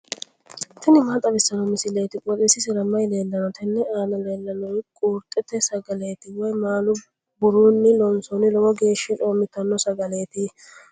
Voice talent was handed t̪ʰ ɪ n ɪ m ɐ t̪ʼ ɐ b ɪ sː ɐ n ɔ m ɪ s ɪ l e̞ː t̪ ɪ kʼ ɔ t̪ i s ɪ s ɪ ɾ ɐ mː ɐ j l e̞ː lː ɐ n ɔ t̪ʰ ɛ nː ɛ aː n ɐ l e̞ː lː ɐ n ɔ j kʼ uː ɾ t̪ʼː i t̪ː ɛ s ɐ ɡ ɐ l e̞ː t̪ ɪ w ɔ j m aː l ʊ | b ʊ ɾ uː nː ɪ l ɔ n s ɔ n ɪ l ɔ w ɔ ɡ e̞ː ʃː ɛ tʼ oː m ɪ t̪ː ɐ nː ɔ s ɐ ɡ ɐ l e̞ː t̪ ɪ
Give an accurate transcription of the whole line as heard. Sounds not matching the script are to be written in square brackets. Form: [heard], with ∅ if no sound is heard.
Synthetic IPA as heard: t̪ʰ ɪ n ɪ m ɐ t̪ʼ ɐ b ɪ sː ɐ n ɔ m ɪ s ɪ l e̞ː t̪ ɪ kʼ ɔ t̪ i s ɪ s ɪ ɾ ɐ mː ɐ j l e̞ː lː ɐ n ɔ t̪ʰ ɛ nː ɛ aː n ɐ l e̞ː lː ɐ n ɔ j kʼ uː ɾ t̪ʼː [ɛ] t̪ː ɛ s ɐ ɡ ɐ l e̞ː t̪ ɪ w ɔ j m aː l ʊ | b ʊ ɾ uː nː ɪ l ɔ n s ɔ n ɪ l ɔ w ɔ ɡ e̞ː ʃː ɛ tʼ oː m ɪ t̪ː ɐ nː ɔ s ɐ ɡ ɐ l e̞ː t̪ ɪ